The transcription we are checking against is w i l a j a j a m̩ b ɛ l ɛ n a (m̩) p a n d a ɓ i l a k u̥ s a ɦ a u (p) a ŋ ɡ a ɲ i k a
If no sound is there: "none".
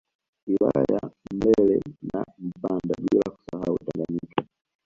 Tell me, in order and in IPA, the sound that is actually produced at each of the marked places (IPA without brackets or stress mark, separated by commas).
m̩, t